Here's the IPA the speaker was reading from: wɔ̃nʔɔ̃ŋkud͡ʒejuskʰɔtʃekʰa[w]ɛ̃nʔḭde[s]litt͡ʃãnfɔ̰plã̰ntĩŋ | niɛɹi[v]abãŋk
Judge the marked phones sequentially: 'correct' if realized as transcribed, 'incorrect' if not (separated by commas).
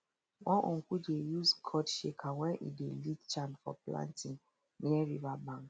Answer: correct, incorrect, correct